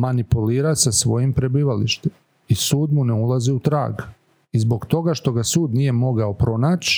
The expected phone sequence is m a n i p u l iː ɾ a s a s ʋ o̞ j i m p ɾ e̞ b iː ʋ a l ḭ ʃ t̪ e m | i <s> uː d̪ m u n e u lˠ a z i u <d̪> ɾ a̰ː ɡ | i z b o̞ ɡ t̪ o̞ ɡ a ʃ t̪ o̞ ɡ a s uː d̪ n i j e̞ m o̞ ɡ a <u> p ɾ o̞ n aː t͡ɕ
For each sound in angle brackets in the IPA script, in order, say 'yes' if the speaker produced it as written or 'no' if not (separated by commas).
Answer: yes, no, no